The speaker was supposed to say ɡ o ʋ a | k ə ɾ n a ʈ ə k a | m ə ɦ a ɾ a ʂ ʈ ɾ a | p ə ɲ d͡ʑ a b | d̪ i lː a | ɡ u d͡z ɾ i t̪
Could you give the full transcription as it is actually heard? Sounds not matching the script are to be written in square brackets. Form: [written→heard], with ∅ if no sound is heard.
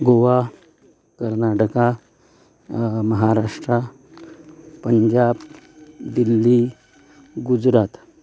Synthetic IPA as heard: ɡ o ʋ a | k ə ɾ n a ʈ ə k a | m ə ɦ a ɾ a ʂ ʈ ɾ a | p ə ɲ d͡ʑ a b | d̪ i lː [a→i] | ɡ u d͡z ɾ [i→a] t̪